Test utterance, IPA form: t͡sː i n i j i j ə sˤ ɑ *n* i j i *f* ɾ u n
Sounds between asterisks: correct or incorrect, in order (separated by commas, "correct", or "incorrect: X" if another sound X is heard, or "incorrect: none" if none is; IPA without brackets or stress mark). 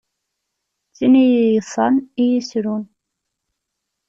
correct, incorrect: s